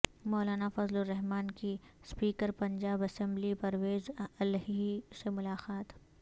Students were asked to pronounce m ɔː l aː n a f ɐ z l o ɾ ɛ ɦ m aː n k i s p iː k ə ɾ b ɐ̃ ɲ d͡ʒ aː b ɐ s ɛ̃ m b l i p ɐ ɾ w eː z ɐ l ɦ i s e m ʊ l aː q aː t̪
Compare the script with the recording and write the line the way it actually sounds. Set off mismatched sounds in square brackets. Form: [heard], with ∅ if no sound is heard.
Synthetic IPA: m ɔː l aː n a f ɐ z l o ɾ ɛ ɦ m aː n k i s p iː k ə ɾ [p] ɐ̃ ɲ d͡ʒ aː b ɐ s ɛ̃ m b l i p ɐ ɾ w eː z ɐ l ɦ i s e m ʊ l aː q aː t̪